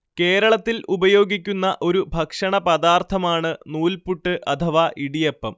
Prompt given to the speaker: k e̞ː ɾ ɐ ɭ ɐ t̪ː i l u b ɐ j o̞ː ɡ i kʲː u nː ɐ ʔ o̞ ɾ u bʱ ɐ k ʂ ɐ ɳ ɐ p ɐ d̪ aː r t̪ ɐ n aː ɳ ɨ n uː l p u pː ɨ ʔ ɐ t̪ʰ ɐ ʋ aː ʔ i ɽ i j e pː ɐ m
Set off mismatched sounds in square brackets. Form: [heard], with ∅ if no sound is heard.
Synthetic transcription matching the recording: k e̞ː ɾ ɐ ɭ ɐ t̪ː i l u b ɐ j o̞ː ɡ i kʲː u nː ɐ ʔ o̞ ɾ u bʱ ɐ k ʂ ɐ ɳ ɐ p ɐ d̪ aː r [t̪ʰ] ɐ [m] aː ɳ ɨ n uː l p u [ʈː] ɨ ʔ ɐ t̪ʰ ɐ ʋ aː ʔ i ɽ i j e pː ɐ m